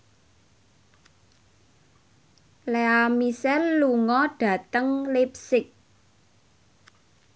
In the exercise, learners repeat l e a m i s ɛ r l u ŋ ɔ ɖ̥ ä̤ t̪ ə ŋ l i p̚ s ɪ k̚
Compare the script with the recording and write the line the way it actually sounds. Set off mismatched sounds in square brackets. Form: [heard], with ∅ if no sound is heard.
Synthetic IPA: l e a m i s ɛ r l u ŋ ɔ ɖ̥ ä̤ t̪ ə ŋ l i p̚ s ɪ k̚